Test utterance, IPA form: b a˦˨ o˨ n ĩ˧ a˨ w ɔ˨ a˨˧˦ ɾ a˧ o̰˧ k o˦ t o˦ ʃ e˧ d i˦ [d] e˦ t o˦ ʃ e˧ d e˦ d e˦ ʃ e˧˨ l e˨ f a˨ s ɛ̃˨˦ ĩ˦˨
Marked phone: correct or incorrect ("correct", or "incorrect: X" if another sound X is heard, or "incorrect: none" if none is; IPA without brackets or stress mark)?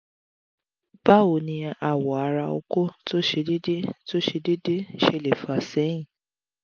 correct